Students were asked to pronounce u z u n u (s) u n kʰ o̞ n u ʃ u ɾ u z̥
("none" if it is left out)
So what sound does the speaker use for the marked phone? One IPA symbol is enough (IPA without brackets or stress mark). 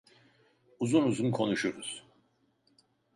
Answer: z